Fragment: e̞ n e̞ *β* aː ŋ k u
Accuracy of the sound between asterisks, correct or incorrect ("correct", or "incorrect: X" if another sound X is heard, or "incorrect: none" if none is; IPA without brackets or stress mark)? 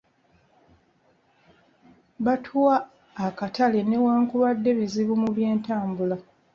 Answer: incorrect: w